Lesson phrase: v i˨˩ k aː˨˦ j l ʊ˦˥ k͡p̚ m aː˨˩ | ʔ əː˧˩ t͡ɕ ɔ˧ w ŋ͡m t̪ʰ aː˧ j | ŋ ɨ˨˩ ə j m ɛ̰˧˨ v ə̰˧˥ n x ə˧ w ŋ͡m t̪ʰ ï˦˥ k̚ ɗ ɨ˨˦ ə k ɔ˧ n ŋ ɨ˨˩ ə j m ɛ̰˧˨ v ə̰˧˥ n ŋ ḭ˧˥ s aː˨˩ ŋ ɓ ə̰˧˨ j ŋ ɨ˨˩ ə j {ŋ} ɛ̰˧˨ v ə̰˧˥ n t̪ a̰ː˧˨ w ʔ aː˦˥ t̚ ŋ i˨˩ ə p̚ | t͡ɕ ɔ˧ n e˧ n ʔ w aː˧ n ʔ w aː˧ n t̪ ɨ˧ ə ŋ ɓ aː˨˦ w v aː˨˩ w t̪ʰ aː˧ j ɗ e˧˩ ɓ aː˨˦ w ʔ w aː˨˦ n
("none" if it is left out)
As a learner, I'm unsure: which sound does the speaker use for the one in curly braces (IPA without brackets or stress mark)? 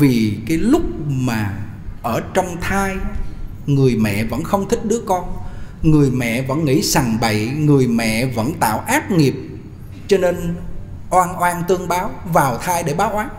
m